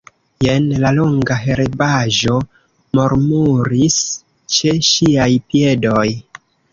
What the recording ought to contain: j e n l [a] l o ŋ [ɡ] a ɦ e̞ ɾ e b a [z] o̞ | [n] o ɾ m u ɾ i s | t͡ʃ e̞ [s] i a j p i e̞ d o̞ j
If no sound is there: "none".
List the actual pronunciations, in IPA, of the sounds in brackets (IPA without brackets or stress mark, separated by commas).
a, ɡ, ʒ, m, ʃ